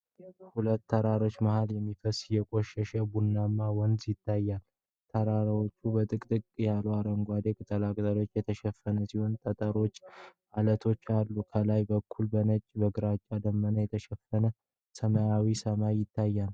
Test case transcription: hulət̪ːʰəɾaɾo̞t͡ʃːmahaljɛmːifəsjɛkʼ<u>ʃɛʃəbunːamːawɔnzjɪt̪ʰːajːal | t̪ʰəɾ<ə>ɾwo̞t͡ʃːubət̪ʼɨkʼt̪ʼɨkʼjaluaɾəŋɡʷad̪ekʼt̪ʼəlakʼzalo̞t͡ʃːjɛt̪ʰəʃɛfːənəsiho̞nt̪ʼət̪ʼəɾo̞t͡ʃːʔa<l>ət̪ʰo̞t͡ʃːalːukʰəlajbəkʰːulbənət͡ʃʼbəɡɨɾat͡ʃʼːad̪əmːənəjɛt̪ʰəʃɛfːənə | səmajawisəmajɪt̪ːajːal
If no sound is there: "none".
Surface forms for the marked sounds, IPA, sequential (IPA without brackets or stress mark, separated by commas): o, a, l